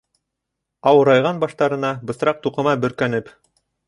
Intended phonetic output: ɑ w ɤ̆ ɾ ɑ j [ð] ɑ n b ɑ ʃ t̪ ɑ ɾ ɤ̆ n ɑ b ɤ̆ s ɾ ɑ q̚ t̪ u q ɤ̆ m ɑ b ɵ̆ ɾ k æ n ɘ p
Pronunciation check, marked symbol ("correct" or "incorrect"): incorrect